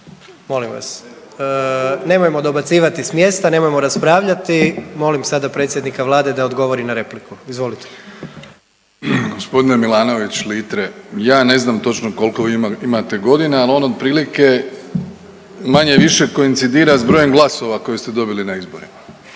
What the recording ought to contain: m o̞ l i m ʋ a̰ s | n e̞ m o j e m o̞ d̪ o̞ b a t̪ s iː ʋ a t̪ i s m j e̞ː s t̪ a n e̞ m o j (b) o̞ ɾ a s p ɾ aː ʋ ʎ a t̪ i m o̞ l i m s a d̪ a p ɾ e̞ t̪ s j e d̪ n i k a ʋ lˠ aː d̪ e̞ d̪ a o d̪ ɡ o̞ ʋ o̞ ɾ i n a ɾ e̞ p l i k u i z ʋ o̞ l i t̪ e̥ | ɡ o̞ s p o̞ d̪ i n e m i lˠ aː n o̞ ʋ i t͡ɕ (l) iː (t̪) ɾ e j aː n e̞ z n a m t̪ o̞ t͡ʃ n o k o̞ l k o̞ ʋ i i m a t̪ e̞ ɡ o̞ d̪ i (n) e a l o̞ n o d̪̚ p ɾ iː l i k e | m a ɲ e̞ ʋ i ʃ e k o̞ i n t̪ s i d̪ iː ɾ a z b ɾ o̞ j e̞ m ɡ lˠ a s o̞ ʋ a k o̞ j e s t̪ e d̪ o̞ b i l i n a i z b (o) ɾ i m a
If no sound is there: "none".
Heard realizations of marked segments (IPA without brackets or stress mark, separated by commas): m, l, t̪, n, o